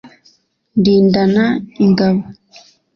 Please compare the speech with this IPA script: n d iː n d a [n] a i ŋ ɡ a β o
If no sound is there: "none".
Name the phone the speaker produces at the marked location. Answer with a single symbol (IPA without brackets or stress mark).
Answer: n